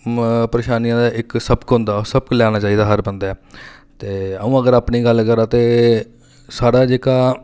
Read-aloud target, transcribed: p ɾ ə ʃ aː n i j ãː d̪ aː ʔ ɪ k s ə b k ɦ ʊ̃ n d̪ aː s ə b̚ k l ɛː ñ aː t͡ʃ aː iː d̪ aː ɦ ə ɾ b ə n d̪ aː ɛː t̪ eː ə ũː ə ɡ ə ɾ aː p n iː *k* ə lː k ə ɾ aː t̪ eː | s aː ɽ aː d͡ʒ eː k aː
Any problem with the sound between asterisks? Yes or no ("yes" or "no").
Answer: yes